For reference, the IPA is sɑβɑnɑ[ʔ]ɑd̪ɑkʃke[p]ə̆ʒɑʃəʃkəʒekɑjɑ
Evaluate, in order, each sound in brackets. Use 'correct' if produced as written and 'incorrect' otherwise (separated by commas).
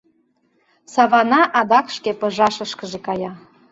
correct, correct